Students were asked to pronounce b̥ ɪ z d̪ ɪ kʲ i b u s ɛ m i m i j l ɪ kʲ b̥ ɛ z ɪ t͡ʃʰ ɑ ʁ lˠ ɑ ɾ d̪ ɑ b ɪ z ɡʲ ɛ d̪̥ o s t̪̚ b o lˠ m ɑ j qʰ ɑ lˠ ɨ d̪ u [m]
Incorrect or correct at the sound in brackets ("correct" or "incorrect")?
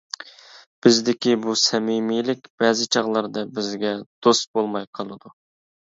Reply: incorrect